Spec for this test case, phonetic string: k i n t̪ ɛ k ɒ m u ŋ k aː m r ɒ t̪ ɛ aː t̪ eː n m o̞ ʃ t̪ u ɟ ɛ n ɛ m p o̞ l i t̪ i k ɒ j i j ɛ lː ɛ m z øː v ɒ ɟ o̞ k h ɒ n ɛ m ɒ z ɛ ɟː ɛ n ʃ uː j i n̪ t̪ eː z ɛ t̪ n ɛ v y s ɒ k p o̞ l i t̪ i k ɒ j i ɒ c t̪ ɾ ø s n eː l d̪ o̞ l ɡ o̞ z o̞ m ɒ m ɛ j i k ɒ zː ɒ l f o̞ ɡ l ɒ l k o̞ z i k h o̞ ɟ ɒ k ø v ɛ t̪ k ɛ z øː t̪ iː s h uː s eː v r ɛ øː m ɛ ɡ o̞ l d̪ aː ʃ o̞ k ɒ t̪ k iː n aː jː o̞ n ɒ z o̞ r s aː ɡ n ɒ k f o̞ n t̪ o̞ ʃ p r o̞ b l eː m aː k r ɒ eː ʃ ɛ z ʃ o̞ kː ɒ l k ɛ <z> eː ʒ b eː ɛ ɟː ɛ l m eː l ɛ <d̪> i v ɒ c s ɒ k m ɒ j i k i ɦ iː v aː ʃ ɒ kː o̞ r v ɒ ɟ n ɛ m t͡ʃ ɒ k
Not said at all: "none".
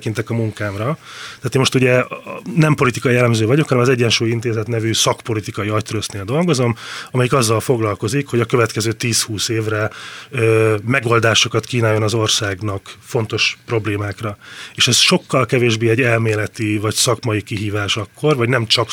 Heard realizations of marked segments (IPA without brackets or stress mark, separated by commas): v, t̪